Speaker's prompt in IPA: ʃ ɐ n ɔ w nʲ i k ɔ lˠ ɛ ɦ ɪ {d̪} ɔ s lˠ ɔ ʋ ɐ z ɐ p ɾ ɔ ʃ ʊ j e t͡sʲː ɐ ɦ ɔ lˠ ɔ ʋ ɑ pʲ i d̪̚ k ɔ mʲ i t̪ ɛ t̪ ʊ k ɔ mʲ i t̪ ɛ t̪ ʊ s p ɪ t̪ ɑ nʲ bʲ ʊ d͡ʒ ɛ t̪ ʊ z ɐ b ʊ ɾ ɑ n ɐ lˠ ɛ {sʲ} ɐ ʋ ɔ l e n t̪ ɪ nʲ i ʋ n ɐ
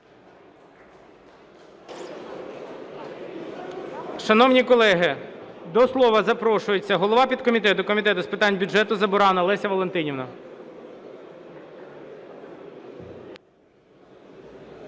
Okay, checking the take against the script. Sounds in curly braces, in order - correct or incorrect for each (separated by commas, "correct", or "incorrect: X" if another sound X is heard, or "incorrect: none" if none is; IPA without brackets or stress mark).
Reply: correct, correct